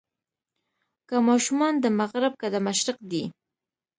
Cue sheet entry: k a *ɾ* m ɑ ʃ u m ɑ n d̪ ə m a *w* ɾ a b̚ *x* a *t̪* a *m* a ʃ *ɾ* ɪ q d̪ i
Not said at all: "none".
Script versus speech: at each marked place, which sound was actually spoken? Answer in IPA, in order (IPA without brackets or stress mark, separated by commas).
none, ɣ, k, d̪, m, ɾ